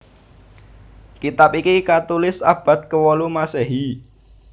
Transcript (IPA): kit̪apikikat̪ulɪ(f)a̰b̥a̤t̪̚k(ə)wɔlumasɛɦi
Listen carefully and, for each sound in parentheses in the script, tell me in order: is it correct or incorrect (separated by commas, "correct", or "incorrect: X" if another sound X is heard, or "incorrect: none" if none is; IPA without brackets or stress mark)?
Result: incorrect: s, correct